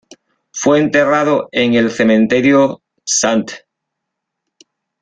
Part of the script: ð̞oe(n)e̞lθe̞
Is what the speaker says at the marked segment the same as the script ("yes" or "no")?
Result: no